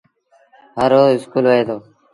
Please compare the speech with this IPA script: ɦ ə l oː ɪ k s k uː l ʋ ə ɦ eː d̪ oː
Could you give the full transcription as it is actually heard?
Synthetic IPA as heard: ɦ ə ɾ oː ɪ s k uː l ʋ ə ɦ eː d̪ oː